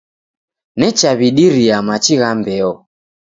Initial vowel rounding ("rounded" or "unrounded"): unrounded